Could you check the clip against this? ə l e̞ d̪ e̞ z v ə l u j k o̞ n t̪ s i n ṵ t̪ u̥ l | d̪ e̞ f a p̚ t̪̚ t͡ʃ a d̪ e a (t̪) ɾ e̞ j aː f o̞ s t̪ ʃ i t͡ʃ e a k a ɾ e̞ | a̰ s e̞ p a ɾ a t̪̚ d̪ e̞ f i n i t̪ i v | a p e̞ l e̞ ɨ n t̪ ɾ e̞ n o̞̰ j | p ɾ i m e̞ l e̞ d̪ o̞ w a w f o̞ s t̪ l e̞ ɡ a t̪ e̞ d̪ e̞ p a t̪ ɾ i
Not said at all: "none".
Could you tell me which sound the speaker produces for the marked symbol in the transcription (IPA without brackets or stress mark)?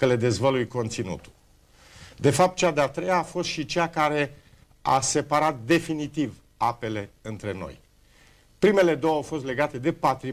t̪